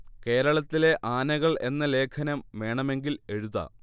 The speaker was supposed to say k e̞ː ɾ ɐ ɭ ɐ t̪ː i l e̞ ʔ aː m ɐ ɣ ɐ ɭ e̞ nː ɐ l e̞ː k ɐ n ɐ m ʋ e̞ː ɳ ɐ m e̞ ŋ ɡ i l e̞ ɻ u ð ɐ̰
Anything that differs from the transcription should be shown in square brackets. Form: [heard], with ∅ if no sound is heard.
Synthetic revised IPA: k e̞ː ɾ ɐ ɭ ɐ t̪ː i l e̞ ʔ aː [n] ɐ ɣ ɐ ɭ e̞ nː ɐ l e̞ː [kʰ] ɐ n ɐ m ʋ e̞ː ɳ ɐ m e̞ ŋ ɡ i l e̞ ɻ u ð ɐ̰